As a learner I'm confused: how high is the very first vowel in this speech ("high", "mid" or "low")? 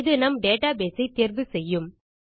high